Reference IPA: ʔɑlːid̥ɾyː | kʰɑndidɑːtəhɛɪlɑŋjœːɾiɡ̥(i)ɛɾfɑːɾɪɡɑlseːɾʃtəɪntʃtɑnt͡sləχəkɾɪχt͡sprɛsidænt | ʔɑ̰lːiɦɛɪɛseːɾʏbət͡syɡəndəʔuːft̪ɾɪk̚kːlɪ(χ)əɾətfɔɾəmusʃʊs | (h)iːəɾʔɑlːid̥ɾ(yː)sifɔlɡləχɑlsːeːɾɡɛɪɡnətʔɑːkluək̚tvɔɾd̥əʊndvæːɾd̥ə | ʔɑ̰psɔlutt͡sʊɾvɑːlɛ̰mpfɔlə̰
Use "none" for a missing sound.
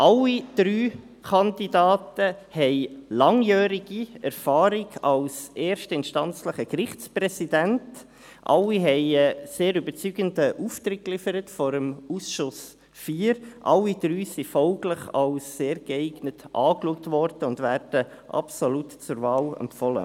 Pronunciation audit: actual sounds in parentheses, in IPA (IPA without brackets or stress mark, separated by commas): i, f, f, yː